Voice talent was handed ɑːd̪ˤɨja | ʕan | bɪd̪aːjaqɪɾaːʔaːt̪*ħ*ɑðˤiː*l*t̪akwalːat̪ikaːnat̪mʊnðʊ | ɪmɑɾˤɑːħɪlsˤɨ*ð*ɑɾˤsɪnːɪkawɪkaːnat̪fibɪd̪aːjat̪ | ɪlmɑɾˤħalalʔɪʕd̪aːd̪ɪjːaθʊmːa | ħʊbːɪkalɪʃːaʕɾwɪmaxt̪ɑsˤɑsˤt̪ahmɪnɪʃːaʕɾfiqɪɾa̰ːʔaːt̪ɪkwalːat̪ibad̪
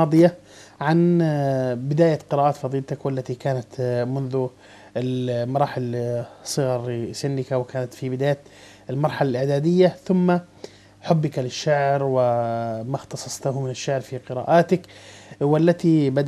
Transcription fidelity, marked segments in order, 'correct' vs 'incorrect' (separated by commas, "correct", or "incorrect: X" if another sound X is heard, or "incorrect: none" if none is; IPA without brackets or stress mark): incorrect: f, correct, incorrect: ɣ